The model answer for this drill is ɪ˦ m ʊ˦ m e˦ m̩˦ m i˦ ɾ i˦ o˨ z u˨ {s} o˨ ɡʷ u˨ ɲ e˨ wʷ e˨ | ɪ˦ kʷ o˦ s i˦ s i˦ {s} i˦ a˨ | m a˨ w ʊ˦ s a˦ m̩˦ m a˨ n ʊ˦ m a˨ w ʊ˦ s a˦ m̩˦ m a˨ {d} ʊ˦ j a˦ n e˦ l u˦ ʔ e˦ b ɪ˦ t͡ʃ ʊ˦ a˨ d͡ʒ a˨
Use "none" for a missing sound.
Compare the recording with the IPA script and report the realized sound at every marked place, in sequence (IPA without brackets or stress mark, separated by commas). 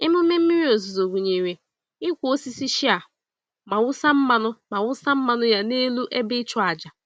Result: z, ʃ, n